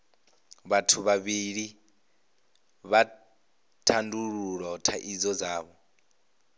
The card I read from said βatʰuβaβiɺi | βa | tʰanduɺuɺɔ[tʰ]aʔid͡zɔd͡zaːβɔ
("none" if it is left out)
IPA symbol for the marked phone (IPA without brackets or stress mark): tʰ